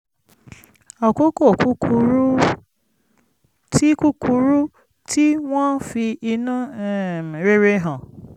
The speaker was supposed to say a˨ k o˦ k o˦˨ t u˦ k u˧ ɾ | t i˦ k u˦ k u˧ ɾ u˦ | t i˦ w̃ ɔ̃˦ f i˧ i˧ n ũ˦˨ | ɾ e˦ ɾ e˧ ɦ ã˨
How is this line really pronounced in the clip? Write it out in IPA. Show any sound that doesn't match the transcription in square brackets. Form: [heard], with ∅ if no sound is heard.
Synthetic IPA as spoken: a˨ k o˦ k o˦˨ [k] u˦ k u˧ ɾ | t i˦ k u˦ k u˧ ɾ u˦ | t i˦ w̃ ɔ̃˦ f i˧ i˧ n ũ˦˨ | ɾ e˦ ɾ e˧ ɦ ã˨